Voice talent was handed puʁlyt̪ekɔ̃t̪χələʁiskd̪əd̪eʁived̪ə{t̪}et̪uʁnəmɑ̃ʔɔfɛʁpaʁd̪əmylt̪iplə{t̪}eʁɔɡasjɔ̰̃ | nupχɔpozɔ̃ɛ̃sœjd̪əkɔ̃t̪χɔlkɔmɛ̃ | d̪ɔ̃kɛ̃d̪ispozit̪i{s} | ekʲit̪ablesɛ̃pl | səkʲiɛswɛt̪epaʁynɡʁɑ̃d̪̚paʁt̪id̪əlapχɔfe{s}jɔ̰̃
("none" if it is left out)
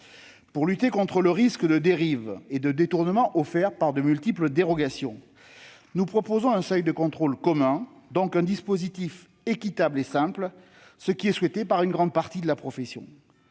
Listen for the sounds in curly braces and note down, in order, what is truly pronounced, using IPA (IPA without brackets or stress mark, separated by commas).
d̪, d̪, f, s